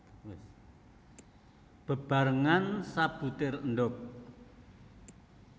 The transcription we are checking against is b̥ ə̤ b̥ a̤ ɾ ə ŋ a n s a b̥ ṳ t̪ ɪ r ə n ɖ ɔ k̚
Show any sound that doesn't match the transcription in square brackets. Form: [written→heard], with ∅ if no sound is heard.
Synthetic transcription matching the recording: b̥ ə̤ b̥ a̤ ɾ ə ŋ a n s a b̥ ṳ t̪ ɪ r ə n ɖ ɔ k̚